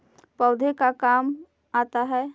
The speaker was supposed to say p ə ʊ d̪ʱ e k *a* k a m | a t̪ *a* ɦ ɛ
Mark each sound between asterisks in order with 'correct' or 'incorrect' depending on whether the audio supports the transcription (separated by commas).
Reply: correct, correct